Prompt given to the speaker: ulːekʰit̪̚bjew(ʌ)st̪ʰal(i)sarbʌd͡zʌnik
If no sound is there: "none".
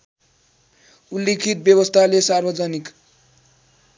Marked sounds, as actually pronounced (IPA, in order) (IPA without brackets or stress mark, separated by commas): ʌ, e